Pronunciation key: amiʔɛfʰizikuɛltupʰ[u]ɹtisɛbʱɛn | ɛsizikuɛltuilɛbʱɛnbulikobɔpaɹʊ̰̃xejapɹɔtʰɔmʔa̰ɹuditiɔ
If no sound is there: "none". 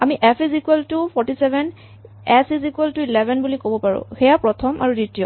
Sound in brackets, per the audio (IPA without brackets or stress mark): ɔ